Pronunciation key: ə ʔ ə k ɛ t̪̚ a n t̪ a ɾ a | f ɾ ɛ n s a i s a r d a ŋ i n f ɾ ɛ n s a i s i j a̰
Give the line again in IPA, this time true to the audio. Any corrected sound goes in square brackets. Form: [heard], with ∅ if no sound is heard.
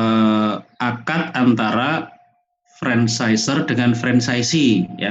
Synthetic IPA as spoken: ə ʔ [a] k [a] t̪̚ a n t̪ a ɾ a | f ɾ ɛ n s a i s [ə] r d [ə] ŋ [a] n f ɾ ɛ n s a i s i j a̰